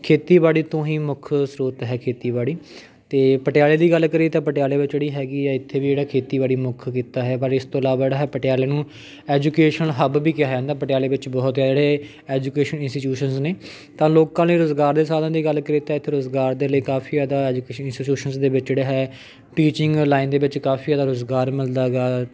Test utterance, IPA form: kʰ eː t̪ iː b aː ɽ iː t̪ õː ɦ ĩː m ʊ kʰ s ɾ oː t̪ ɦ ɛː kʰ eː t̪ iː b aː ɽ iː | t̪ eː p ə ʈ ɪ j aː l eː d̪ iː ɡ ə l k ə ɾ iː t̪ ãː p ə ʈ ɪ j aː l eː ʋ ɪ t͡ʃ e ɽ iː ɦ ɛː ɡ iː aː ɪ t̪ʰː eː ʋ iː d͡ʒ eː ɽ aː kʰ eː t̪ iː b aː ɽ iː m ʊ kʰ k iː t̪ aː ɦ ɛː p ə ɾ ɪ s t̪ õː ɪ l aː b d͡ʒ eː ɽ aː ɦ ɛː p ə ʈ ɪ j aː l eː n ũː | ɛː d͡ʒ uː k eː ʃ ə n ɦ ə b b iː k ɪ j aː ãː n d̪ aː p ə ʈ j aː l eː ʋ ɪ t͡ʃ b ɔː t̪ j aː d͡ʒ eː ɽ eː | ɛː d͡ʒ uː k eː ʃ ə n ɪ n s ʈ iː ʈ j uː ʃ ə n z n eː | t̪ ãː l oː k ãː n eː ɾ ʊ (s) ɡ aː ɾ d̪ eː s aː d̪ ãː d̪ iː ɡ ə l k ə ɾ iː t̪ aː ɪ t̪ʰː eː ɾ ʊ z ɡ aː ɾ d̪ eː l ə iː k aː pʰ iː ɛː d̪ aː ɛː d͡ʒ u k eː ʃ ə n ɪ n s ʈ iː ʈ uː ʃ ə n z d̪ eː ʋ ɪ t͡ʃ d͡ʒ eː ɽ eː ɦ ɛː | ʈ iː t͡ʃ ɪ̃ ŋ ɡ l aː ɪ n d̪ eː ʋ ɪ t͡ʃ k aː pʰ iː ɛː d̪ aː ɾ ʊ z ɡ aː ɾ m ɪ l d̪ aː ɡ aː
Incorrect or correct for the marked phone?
incorrect: z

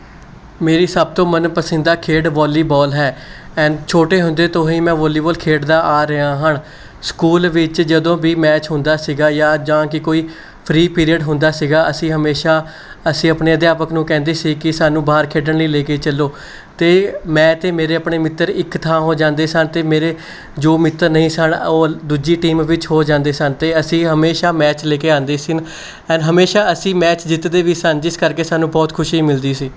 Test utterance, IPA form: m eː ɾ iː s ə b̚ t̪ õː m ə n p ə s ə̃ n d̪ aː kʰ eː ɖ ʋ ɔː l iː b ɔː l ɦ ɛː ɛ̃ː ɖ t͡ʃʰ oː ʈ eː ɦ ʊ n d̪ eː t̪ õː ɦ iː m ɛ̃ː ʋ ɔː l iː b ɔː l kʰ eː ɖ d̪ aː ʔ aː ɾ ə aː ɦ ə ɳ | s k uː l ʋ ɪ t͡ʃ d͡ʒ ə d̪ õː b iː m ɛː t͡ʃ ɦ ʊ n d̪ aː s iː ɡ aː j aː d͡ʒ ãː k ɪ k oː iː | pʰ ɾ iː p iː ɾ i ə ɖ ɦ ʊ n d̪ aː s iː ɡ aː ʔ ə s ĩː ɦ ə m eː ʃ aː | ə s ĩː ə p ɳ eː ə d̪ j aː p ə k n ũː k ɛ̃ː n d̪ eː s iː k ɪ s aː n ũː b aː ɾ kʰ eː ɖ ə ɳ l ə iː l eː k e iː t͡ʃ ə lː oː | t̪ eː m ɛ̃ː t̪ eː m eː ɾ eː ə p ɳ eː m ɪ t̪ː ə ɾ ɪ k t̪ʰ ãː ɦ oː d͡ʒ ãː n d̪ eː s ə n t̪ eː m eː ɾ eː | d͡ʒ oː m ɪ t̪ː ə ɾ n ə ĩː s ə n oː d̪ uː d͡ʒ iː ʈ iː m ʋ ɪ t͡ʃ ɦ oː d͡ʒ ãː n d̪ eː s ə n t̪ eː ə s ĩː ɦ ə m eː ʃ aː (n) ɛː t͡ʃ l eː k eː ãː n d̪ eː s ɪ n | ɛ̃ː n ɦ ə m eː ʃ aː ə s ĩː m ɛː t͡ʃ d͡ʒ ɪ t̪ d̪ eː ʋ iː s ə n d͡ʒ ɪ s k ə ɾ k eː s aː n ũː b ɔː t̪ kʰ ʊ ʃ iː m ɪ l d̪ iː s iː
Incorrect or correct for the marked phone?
incorrect: m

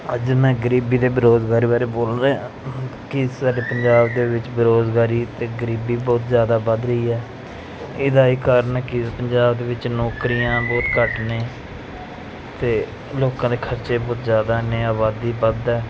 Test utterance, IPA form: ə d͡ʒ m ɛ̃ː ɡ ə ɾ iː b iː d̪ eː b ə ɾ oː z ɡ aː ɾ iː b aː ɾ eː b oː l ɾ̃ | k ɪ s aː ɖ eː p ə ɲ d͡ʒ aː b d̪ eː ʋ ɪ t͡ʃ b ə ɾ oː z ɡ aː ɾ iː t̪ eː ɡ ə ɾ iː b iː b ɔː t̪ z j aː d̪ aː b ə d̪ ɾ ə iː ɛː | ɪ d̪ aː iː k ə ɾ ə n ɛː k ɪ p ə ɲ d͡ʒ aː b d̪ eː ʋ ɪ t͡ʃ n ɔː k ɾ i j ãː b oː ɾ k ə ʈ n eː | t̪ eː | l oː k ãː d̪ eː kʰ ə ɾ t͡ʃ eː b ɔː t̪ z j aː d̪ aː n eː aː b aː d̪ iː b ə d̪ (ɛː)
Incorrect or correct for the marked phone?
correct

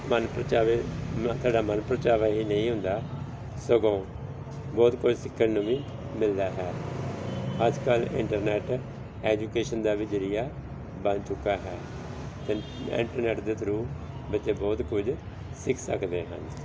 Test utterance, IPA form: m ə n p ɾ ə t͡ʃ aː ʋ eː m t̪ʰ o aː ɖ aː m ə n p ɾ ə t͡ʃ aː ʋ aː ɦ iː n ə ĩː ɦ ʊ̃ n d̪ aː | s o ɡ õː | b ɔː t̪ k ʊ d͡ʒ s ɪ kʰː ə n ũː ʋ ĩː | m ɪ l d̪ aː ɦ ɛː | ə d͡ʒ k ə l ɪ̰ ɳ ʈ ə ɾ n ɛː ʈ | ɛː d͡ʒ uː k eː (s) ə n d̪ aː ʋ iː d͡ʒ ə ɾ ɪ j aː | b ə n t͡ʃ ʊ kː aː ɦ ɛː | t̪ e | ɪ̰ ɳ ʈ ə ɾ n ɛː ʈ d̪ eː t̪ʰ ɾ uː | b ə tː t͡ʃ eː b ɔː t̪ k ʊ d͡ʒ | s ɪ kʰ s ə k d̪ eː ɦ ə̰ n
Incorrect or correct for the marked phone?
incorrect: ʃ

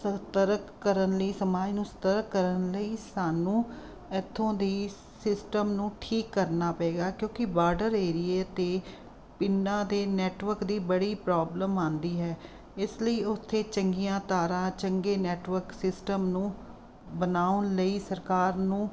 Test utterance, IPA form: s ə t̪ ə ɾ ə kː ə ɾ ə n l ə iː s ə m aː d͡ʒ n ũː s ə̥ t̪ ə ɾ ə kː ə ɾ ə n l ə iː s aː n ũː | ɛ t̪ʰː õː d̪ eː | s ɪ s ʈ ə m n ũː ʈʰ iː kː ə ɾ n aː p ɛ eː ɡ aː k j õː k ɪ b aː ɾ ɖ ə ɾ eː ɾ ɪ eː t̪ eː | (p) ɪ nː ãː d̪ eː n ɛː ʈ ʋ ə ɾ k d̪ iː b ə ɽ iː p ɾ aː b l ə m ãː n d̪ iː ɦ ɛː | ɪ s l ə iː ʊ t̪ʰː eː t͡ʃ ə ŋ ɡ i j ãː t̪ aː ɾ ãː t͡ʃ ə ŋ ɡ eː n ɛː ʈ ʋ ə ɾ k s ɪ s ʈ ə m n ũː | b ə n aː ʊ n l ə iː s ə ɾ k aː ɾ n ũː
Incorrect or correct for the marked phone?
correct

